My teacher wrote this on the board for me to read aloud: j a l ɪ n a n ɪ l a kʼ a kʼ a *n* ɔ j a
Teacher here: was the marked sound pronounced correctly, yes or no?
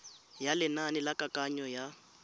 no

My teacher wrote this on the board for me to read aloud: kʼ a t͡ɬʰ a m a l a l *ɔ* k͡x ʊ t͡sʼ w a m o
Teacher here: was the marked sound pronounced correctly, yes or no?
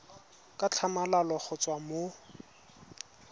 yes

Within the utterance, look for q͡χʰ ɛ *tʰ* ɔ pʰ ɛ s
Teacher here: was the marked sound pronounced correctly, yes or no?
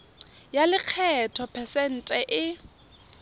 yes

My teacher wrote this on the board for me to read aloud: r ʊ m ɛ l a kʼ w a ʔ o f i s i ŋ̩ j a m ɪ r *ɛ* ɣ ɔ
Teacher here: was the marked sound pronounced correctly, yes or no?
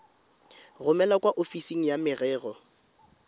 no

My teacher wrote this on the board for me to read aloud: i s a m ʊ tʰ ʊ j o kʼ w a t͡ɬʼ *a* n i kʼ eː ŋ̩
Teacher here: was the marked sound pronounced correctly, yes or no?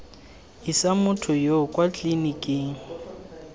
no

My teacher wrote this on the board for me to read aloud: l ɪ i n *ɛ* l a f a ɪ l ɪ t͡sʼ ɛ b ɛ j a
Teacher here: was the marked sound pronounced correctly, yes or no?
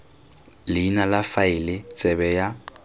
no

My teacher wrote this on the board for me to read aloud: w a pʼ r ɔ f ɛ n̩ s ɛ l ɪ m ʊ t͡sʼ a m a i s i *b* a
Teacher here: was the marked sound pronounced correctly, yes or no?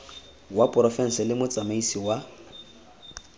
no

